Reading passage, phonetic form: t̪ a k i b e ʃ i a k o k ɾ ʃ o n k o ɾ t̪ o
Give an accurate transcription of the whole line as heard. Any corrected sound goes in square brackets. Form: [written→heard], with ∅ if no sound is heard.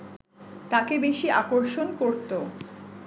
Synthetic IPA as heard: t̪ a k [i→e] b e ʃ i a k o [k→∅] ɾ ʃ o n k o ɾ t̪ o